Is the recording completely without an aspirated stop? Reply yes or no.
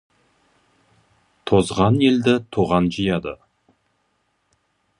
no